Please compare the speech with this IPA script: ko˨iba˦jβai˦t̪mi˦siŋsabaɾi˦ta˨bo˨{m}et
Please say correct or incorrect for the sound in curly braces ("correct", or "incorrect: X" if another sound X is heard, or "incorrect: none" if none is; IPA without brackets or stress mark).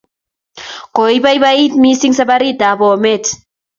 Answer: correct